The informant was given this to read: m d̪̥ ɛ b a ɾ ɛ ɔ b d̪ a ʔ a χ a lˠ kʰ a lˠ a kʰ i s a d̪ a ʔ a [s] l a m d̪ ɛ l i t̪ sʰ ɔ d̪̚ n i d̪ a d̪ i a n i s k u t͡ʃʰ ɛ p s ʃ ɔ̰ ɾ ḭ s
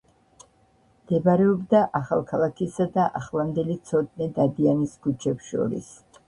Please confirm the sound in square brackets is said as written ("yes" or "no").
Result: no